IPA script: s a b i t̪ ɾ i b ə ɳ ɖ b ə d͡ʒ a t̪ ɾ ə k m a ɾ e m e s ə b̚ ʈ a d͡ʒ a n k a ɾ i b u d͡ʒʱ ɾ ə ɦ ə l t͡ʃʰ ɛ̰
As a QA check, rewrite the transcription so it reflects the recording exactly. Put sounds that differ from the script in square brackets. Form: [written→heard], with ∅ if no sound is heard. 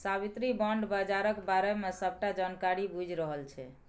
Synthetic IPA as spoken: s a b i t̪ ɾ i b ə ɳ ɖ b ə d͡ʒ a [t̪→∅] ɾ ə k [m→b] a ɾ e m e s ə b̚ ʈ a d͡ʒ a n k a ɾ i b u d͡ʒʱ ɾ ə ɦ ə l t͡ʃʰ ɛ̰